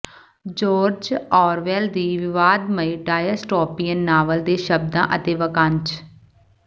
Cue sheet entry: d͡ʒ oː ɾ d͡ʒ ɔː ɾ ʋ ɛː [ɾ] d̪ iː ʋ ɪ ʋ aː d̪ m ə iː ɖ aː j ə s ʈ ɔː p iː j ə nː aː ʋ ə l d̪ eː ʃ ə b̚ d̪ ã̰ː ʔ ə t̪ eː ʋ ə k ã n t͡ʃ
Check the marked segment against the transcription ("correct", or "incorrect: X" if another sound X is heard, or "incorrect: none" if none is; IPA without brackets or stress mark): incorrect: l